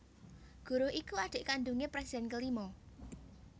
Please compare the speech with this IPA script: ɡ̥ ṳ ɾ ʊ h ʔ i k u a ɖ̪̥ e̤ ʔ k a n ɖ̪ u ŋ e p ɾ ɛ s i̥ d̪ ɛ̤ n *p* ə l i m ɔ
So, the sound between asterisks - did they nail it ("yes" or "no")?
no